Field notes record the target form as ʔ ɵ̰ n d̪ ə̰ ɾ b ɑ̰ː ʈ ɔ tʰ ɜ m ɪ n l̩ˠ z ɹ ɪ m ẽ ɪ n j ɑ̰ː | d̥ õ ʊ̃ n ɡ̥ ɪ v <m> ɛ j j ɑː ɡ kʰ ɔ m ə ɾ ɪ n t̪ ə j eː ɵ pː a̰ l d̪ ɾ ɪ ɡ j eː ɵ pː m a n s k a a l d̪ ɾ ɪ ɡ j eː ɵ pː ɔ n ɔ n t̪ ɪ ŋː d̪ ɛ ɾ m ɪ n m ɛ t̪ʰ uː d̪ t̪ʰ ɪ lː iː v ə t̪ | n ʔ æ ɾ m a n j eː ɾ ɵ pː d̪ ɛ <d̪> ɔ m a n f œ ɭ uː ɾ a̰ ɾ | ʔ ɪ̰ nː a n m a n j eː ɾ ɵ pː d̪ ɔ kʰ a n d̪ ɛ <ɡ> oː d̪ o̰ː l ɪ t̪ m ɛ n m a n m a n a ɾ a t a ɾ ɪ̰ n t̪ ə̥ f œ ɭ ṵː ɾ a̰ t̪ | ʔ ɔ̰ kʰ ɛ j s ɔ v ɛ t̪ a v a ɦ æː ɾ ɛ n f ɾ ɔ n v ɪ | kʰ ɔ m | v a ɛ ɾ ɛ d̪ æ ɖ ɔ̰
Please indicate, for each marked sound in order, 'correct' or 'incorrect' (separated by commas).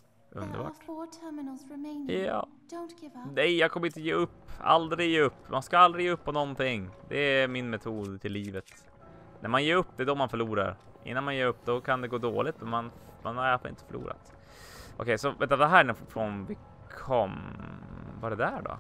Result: incorrect, correct, correct